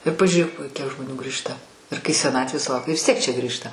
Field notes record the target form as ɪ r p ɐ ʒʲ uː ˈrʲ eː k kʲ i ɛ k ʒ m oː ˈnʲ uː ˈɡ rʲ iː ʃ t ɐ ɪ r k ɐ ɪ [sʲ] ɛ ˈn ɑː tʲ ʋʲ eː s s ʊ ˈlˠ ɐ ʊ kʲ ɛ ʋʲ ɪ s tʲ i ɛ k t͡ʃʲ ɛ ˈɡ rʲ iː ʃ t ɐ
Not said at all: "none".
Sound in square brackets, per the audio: sʲ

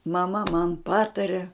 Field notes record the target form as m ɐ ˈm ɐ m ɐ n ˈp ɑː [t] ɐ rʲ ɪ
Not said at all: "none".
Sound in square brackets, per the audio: t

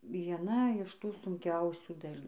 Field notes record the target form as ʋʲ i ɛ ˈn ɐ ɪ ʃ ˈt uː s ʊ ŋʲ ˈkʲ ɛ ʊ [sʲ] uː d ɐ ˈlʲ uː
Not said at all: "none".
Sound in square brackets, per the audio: sʲ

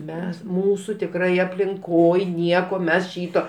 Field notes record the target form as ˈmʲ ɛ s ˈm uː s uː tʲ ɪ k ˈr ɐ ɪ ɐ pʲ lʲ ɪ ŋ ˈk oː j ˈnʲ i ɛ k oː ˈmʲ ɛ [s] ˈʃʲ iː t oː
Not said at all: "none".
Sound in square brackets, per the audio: s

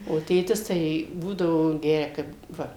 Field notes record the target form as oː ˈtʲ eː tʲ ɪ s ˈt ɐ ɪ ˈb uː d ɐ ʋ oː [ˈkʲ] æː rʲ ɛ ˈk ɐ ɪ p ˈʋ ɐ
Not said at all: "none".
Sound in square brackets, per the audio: ɡʲ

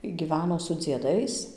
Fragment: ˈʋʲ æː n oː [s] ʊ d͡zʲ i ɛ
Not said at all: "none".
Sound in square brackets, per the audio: s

